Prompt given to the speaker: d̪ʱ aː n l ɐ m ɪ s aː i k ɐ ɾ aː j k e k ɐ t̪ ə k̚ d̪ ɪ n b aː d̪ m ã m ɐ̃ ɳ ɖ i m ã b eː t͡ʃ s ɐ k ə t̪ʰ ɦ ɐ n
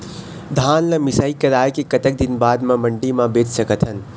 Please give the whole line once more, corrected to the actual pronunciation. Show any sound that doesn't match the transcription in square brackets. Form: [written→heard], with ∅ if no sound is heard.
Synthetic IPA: d̪ʱ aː n l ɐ m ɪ s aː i k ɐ ɾ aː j k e k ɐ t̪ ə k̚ d̪ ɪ n b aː d̪ m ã m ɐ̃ ɳ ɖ i m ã b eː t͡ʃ s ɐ k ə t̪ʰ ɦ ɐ n